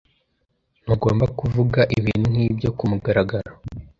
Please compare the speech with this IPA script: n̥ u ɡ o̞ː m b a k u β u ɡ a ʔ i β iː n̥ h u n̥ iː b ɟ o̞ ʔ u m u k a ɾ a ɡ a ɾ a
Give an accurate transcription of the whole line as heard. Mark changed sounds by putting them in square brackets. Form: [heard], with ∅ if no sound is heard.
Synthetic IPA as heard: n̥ u ɡ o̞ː m b a k u [v] u ɡ a ʔ i β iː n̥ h u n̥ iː b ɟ o̞ [k] u m u [ɡ] a ɾ a ɡ a ɾ a